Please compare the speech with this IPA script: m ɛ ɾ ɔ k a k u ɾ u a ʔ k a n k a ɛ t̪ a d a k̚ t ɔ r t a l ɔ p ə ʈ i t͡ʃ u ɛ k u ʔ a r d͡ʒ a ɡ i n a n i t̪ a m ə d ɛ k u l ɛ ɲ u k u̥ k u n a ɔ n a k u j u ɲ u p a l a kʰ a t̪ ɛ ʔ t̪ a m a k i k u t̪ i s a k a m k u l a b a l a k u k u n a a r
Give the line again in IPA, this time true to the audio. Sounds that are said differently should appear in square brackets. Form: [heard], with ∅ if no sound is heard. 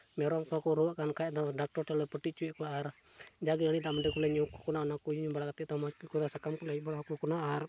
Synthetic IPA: m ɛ ɾ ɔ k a k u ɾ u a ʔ k a n k a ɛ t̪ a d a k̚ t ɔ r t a l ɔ p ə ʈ i t͡ʃ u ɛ k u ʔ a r d͡ʒ a ɡ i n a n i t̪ a m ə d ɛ k u l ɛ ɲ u k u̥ k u n a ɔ n a k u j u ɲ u [b] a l a [k] a t̪ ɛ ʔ t̪ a m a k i k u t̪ [a] s a k a m k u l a b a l a k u k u n a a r